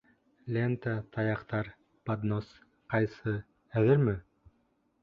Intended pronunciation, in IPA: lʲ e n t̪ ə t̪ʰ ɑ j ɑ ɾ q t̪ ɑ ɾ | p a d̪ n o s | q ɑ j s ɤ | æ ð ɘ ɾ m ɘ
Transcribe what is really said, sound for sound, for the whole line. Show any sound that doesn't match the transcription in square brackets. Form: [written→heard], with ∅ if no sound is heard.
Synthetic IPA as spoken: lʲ e n t̪ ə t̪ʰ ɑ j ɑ [ɾ→∅] q t̪ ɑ ɾ | p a d̪ n o s | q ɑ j s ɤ | æ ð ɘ ɾ m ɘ

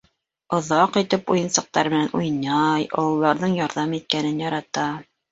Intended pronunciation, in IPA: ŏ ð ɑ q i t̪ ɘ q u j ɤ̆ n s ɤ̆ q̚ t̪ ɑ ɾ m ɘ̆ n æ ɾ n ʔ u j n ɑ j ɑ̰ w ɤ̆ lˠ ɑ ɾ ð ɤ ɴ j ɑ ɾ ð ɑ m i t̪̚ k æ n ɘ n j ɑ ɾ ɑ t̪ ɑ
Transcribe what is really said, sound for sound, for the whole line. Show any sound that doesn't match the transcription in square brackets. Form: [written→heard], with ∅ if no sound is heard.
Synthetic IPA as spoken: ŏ ð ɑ q i t̪ ɘ [q→p] u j ɤ̆ n s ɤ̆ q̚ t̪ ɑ ɾ m ɘ̆ n æ [ɾ→∅] n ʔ u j n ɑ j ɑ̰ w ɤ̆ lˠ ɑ ɾ ð ɤ ɴ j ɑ ɾ ð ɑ m i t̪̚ k æ n ɘ n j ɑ ɾ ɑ t̪ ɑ

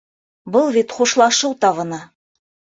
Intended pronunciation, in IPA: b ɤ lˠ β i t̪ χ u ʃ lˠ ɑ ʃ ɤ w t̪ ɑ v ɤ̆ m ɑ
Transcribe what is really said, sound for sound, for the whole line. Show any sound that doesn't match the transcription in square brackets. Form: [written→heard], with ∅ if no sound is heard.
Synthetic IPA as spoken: b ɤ lˠ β i t̪ χ u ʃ lˠ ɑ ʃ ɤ w t̪ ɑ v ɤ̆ [m→n] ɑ

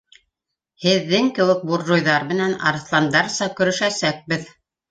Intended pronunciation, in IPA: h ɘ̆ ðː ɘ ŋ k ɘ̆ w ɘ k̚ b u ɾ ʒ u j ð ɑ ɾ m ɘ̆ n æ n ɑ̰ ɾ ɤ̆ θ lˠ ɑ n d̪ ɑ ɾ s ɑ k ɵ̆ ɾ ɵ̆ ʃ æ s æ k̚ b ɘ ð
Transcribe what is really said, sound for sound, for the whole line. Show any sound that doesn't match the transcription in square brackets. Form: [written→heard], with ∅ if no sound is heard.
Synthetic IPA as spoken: h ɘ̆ ðː ɘ ŋ k ɘ̆ w ɘ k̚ b u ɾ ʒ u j ð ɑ ɾ m ɘ̆ n æ n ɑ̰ ɾ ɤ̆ θ lˠ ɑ n d̪ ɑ ɾ s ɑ k ɵ̆ ɾ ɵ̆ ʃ æ s æ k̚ b ɘ ð

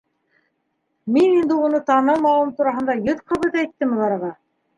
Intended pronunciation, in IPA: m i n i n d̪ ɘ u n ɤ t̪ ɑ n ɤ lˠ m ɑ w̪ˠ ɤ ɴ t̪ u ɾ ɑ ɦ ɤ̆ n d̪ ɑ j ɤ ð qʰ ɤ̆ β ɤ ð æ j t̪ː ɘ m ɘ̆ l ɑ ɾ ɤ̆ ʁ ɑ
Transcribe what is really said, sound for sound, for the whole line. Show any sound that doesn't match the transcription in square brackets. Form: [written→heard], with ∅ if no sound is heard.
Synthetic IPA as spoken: m i n i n d̪ ɘ u n ɤ t̪ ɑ n ɤ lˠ m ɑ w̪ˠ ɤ [ɴ→m] t̪ u ɾ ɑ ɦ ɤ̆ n d̪ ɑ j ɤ ð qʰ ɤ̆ β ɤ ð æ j t̪ː ɘ m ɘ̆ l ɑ ɾ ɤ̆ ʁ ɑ

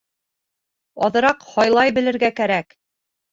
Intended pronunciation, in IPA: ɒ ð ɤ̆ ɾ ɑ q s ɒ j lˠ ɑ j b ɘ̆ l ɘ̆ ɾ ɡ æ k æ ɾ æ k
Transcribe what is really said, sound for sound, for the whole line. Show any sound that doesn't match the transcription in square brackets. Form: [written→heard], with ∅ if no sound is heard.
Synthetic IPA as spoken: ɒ ð ɤ̆ ɾ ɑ q [s→h] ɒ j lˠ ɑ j b ɘ̆ l ɘ̆ ɾ ɡ æ k æ ɾ æ k

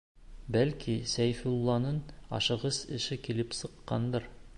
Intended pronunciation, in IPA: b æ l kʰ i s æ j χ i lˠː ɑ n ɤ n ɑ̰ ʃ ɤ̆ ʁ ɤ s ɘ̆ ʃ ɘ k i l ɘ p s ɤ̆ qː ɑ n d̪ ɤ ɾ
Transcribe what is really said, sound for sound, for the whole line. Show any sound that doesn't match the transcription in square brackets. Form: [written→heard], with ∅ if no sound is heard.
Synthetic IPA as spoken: b æ l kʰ i s æ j [χ→f] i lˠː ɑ n ɤ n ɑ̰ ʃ ɤ̆ ʁ ɤ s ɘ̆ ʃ ɘ k i l ɘ p s ɤ̆ qː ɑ n d̪ ɤ ɾ

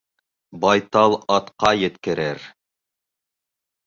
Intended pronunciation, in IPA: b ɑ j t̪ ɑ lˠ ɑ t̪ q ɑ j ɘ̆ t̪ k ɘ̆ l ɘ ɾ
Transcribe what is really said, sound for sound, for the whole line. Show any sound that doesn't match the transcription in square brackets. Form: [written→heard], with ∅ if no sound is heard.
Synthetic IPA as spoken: b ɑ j t̪ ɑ lˠ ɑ t̪ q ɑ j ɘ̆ t̪ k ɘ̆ [l→ɾ] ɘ ɾ

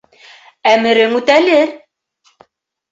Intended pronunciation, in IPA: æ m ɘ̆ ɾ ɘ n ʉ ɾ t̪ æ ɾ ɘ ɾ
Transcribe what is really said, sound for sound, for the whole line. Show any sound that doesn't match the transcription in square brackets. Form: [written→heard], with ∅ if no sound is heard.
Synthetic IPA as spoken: æ m ɘ̆ ɾ ɘ [n→ŋ] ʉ [ɾ→∅] t̪ æ [ɾ→l] ɘ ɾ

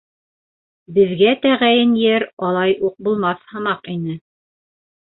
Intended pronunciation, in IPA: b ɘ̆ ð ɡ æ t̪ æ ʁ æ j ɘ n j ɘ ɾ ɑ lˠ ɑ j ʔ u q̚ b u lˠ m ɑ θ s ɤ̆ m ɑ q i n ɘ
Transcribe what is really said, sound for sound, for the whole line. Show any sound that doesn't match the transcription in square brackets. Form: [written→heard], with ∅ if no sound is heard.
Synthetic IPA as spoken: b ɘ̆ ð ɡ æ t̪ æ ʁ æ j ɘ n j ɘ ɾ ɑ lˠ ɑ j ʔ u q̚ b u lˠ m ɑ θ [s→h] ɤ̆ m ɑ q i n ɘ

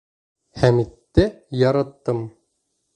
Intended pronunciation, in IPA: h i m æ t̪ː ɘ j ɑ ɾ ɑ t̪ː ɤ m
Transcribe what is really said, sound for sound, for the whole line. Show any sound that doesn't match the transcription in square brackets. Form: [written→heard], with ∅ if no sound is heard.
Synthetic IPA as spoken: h [i→æ] m [æ→i] t̪ː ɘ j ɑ ɾ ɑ t̪ː ɤ m

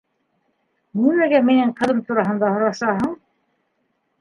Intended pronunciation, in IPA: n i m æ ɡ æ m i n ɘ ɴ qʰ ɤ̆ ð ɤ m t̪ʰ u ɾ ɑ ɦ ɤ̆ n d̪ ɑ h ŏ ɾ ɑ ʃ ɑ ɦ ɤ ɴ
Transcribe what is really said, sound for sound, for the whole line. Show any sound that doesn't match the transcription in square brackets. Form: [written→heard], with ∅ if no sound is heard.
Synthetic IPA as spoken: n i m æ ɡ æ m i n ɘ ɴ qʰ ɤ̆ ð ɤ m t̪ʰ u ɾ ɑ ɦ ɤ̆ n d̪ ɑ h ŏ ɾ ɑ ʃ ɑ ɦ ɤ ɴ

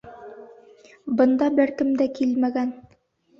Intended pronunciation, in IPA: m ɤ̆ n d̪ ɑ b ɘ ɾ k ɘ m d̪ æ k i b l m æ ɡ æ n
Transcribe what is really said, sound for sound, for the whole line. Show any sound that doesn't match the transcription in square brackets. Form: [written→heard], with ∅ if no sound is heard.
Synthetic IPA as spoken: [m→b] ɤ̆ n d̪ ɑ b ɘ ɾ k ɘ m d̪ æ k i [b→∅] l m æ ɡ æ n

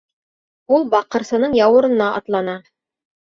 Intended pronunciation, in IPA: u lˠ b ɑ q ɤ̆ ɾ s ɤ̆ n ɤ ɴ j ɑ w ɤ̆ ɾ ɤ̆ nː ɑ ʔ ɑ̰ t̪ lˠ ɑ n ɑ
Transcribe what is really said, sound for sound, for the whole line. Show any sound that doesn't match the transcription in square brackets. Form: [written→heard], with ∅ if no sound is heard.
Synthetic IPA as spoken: u lˠ b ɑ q ɤ̆ ɾ s ɤ̆ n ɤ ɴ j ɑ w ɤ̆ ɾ ɤ̆ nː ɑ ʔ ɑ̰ t̪ lˠ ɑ n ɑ

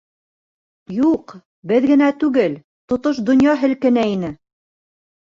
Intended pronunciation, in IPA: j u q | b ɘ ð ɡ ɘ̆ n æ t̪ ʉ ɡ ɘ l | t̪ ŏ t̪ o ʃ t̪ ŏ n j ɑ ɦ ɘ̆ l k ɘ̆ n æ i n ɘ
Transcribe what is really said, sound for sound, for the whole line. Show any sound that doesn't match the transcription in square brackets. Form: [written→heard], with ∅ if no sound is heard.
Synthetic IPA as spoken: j u q | b ɘ ð ɡ ɘ̆ n æ t̪ ʉ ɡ ɘ l | t̪ ŏ t̪ o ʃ [t̪→d̪] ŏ n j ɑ ɦ ɘ̆ l k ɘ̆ n æ i n ɘ

